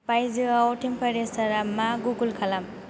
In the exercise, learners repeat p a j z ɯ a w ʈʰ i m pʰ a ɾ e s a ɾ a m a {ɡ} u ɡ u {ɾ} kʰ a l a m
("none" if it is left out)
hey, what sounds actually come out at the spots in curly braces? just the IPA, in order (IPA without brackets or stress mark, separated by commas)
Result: ɡ, l